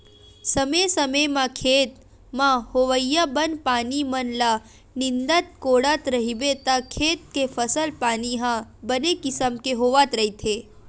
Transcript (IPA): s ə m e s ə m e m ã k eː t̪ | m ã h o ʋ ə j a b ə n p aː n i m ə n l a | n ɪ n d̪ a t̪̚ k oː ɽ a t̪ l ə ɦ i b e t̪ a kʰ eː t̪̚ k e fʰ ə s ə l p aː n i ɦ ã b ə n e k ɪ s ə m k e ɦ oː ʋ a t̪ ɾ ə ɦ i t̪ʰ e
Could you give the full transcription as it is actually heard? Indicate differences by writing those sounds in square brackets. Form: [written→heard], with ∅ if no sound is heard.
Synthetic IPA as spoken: s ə m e s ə m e m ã [k→kʰ] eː t̪ | m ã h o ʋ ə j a b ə n p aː n i m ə n l a | n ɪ n d̪ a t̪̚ k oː ɽ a t̪ [l→ɾ] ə ɦ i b e t̪ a kʰ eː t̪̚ k e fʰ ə s ə l p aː n i ɦ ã b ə n e k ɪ s ə m k e ɦ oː ʋ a t̪ ɾ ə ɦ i t̪ʰ e